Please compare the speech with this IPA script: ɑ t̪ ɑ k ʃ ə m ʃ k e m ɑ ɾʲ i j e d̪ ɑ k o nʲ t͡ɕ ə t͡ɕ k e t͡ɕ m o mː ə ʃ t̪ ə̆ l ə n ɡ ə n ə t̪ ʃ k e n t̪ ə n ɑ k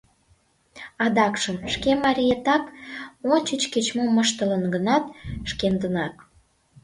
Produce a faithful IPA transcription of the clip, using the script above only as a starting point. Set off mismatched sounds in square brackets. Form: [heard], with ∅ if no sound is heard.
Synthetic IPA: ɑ [d̪] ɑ k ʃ ə m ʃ k e m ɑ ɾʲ i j e [t̪] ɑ k o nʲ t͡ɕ ə t͡ɕ k e t͡ɕ m o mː ə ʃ t̪ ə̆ l ə n ɡ ə n [ɑ] t̪ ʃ k e n [d̪] ə n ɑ k